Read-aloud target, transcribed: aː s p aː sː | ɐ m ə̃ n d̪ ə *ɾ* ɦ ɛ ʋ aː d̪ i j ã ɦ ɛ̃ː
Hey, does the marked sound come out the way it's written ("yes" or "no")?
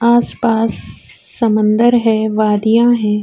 yes